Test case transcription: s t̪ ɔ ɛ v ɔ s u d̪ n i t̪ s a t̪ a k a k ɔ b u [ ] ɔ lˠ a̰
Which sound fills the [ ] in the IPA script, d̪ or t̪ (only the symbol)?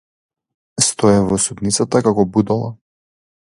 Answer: d̪